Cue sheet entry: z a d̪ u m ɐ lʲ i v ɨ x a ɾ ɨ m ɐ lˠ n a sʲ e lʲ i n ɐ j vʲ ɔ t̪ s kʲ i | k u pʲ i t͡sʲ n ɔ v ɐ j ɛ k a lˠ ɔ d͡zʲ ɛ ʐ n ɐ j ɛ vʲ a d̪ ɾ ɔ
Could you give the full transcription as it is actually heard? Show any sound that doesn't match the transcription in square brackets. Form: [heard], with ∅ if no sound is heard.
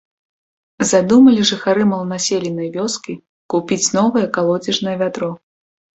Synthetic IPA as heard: z a d̪ u m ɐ lʲ i [ʐ] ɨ x a ɾ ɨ m ɐ lˠ n a sʲ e lʲ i n ɐ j vʲ ɔ [∅] s kʲ i | k u pʲ i t͡sʲ n ɔ v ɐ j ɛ k a lˠ ɔ d͡zʲ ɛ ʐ n ɐ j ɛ vʲ a [t̪] ɾ ɔ